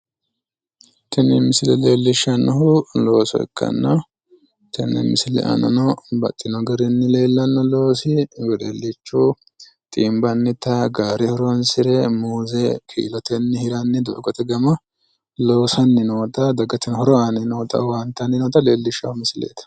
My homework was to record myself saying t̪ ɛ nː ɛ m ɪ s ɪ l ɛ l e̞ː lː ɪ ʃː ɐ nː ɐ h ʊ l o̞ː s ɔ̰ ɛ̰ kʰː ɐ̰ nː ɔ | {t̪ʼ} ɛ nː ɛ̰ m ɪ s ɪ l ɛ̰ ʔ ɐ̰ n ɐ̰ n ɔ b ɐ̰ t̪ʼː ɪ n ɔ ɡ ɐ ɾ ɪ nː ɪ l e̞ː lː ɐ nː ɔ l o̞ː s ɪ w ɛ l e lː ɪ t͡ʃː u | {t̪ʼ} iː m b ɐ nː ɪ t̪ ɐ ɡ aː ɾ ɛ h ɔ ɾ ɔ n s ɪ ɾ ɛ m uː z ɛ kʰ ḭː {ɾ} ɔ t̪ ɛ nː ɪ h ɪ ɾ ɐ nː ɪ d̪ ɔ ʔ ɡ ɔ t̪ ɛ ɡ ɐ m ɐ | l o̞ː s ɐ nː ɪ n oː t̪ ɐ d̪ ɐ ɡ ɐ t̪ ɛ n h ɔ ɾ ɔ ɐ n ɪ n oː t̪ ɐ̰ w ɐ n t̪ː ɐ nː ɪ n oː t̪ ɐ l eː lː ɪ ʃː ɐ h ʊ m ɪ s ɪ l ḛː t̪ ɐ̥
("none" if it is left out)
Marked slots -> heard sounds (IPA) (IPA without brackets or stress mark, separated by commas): t̪, t̪ʼ, l